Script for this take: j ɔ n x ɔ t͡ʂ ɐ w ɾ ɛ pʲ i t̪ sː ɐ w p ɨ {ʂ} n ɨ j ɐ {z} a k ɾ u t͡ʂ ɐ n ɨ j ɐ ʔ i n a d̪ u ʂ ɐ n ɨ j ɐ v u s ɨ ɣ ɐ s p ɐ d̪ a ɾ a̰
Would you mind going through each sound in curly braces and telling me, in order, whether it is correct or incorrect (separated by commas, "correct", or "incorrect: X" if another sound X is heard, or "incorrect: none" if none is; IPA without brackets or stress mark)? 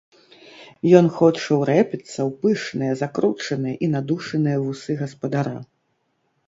correct, correct